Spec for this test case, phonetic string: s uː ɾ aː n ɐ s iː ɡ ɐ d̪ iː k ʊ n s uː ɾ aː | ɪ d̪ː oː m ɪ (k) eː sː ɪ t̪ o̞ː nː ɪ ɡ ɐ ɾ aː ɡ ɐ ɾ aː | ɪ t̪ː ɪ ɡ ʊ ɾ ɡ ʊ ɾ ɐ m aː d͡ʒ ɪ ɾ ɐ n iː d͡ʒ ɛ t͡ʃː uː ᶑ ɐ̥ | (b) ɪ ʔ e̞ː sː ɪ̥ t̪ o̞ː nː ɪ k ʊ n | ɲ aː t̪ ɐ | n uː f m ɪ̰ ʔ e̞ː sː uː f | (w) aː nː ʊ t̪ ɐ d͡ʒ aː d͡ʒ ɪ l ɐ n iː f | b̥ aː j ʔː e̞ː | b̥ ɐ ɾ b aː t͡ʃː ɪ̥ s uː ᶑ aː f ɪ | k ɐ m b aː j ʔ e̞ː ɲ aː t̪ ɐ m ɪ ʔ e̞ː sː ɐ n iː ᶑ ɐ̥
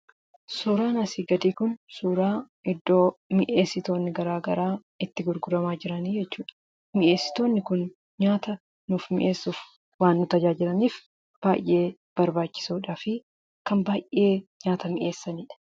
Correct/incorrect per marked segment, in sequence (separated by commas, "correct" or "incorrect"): incorrect, incorrect, correct